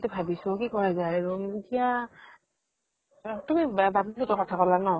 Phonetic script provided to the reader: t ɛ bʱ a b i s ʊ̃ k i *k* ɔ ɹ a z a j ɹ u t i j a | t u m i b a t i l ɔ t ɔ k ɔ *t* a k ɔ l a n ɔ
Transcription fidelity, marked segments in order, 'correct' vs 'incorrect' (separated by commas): correct, incorrect